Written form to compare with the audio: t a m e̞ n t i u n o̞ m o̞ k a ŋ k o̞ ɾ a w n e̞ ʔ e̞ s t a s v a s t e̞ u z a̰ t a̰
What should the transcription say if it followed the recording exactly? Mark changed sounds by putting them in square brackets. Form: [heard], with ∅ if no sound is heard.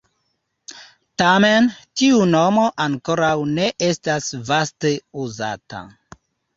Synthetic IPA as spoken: t a m e̞ n t i u n o̞ m o̞ [ʔ] a ŋ k o̞ ɾ a w n e̞ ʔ e̞ s t a s v a s t e̞ u z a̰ t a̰